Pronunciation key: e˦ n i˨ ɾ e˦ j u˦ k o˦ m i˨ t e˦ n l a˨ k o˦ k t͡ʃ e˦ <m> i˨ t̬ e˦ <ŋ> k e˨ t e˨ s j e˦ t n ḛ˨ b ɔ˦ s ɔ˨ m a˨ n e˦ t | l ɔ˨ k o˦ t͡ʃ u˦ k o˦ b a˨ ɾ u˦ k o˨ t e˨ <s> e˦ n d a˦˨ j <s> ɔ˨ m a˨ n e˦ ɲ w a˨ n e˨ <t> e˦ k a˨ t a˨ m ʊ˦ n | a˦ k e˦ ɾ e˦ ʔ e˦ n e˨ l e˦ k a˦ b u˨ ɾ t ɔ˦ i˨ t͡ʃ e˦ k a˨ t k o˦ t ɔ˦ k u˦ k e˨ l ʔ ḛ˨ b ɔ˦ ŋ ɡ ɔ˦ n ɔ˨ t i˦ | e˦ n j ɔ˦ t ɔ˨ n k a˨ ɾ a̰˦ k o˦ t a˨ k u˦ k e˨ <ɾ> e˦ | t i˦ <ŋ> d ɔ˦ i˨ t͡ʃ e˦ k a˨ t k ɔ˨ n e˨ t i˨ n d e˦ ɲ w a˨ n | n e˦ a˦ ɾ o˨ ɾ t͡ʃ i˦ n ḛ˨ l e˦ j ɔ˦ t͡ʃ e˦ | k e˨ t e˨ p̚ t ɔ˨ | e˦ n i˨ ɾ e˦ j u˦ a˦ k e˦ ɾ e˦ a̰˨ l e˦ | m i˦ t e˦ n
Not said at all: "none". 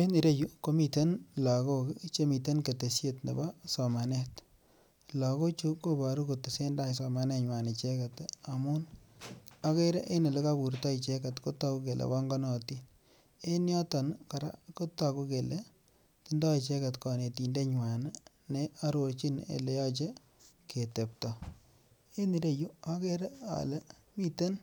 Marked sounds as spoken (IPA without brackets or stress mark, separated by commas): m, n, s, s, t͡ʃ, l, n